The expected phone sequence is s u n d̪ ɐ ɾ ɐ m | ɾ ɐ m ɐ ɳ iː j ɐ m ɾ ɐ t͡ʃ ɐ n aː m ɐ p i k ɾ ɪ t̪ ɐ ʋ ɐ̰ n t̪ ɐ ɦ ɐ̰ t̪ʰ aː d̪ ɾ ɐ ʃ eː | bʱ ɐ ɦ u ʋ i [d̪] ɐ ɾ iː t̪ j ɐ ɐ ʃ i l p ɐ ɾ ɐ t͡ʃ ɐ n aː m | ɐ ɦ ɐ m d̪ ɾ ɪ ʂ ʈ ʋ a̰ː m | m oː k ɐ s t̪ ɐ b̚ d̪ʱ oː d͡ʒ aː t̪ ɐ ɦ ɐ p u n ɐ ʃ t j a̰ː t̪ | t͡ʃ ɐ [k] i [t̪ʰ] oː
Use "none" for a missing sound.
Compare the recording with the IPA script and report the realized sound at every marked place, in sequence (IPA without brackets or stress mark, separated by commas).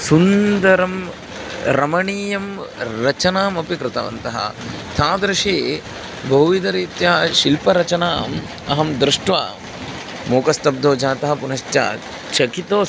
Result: d̪, k, t̪